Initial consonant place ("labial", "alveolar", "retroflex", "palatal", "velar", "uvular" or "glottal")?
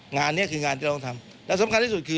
velar